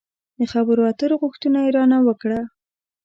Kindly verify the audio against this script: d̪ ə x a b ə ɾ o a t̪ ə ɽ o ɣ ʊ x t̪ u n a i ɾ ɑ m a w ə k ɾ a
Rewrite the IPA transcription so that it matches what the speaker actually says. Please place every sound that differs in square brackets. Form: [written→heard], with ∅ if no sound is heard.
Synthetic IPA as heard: d̪ ə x a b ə ɾ o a t̪ ə [ɽ→ɾ] o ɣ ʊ x t̪ u n a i ɾ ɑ [m→n] a w ə k [ɾ→ɽ] a